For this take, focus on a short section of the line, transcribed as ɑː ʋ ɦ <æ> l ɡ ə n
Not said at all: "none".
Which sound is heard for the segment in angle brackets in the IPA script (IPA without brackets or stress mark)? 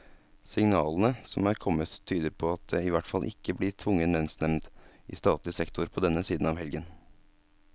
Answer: ɛ